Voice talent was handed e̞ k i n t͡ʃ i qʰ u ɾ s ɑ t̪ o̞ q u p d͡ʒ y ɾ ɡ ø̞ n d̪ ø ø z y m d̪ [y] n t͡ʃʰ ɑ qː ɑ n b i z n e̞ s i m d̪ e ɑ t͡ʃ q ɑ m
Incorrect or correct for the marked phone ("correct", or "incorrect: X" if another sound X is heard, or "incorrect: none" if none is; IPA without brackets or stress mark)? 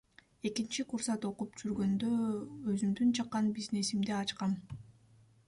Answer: correct